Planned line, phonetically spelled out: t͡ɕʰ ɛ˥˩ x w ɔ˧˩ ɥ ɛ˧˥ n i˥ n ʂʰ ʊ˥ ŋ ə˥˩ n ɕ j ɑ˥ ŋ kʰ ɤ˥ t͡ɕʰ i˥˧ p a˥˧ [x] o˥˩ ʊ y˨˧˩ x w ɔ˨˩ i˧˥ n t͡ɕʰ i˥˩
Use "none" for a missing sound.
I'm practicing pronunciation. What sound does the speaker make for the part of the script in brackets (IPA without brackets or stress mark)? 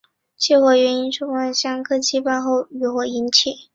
x